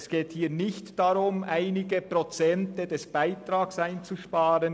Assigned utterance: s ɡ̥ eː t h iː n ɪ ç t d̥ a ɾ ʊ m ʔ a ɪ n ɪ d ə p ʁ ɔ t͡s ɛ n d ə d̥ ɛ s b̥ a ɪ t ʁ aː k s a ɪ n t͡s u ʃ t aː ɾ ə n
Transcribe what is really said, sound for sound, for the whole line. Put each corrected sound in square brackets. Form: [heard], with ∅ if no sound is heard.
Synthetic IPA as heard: s ɡ̥ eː t h iː n ɪ ç t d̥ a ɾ ʊ m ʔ a ɪ n ɪ [ɡ] ə p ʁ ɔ t͡s ɛ n [t] ə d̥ ɛ s b̥ a ɪ t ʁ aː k s a ɪ n t͡s u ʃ [p] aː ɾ ə n